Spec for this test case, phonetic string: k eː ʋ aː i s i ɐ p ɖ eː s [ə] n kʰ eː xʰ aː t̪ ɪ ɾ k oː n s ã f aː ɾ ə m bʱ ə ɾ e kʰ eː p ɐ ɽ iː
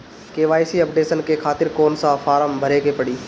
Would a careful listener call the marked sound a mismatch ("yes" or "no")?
no